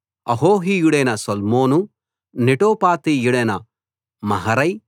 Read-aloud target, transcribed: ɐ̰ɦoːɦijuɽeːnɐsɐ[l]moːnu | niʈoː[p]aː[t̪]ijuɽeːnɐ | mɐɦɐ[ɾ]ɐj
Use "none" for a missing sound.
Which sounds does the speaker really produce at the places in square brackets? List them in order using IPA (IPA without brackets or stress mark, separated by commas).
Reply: l, p, t̪, ɾ